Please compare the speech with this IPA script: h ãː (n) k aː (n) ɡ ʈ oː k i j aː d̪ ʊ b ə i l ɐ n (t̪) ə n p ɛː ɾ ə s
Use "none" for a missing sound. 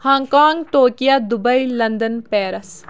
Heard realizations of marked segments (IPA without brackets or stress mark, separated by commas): ŋ, ŋ, d̪